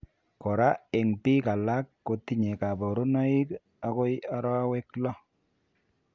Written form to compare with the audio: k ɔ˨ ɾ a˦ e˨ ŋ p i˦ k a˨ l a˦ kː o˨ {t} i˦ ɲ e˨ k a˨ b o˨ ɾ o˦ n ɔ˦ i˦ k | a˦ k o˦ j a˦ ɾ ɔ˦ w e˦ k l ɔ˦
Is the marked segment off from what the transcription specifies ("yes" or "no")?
no